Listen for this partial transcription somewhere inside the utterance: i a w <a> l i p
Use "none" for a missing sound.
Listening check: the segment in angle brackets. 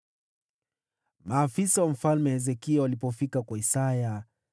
a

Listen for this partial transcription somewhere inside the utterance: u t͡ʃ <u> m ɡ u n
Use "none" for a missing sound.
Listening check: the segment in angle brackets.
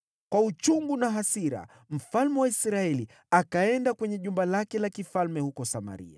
u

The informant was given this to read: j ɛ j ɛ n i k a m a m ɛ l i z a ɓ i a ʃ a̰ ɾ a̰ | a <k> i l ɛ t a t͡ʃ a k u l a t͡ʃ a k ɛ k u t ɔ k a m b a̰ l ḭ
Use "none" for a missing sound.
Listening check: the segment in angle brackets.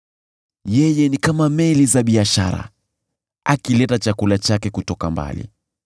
k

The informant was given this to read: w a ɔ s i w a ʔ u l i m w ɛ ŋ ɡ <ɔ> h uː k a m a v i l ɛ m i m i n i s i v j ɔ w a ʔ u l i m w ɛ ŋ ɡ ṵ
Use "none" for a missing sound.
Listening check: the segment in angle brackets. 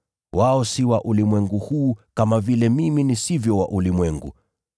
u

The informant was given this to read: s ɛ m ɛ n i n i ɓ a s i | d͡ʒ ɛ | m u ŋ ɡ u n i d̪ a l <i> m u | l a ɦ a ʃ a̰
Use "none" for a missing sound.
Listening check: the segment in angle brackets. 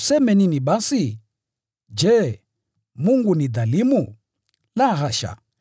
i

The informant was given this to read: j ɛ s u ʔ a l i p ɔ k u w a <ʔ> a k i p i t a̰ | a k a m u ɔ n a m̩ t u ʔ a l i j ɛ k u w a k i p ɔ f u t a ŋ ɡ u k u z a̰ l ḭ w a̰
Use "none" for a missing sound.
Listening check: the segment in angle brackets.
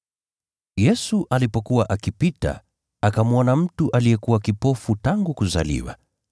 ʔ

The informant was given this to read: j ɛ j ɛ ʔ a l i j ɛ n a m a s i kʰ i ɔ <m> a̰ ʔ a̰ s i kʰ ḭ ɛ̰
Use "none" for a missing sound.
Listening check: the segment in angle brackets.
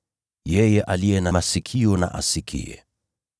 n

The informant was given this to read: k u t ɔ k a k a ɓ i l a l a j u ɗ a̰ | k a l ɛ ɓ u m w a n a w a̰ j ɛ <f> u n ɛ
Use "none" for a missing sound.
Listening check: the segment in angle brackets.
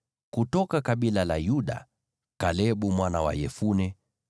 f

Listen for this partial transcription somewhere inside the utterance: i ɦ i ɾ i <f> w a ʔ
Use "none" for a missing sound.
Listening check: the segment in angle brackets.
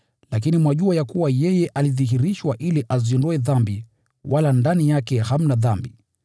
ʃ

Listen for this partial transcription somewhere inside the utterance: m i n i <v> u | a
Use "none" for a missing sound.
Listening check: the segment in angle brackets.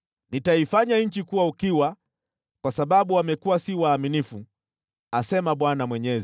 f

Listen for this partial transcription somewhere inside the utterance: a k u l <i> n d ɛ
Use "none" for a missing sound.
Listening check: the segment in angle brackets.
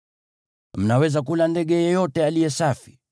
a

